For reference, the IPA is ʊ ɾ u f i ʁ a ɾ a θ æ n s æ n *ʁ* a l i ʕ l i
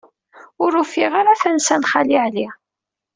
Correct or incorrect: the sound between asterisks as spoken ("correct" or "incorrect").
incorrect